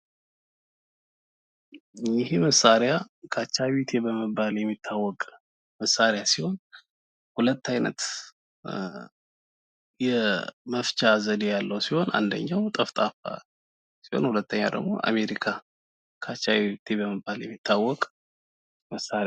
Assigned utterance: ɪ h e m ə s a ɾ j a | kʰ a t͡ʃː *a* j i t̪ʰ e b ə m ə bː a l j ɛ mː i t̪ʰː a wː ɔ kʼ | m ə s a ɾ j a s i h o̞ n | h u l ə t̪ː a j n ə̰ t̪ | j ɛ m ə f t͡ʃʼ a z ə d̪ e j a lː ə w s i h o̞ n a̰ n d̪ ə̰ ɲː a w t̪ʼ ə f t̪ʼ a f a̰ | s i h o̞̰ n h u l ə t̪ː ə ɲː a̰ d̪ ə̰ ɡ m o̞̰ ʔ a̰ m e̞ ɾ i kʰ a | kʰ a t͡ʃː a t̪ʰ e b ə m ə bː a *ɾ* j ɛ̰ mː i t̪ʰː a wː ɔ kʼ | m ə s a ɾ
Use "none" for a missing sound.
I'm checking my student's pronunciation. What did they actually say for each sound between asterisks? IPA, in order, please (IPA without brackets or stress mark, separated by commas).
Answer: a, l